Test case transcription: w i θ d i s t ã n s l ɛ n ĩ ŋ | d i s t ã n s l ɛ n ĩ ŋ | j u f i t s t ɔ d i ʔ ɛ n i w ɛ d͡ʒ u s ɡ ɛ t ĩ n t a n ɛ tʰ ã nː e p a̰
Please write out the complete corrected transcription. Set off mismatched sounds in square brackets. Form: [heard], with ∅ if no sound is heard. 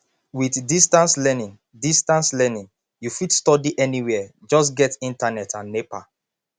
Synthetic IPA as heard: w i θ d i s t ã n s l ɛ n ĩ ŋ | d i s t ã n s l ɛ n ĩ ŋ | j u f i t s t ɔ d i ʔ ɛ n i w ɛ d͡ʒ [ɔ] s ɡ ɛ t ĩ n t a n ɛ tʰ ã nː e p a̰